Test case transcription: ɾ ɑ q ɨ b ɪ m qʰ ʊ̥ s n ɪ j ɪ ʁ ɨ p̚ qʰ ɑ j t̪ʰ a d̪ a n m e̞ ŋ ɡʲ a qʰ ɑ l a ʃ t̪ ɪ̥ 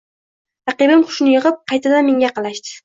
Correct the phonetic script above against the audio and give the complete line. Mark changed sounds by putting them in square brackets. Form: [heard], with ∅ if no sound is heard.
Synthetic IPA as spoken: ɾ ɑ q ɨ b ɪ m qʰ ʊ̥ [ʃ] n ɪ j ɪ ʁ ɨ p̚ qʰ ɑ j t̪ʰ a d̪ a n m e̞ ŋ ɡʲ a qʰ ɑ l a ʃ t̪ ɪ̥